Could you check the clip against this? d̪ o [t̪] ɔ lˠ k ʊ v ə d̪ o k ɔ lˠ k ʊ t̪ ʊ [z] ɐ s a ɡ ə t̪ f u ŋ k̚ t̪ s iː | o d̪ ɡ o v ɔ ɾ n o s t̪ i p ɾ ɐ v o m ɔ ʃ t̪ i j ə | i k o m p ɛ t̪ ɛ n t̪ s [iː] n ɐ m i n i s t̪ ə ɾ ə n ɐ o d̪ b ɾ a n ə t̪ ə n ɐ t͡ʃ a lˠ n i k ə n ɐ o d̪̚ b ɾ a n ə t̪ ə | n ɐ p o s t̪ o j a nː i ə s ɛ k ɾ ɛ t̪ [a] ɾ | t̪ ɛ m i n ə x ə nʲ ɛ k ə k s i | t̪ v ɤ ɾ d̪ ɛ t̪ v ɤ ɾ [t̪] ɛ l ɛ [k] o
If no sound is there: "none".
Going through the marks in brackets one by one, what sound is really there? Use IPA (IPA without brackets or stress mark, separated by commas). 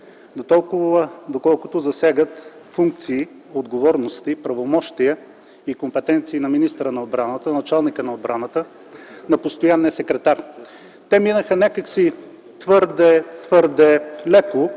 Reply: t̪, z, iː, a, d̪, k